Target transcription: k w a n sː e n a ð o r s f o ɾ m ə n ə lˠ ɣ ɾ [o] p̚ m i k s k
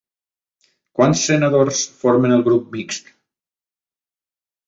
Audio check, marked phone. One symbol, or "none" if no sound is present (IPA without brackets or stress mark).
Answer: u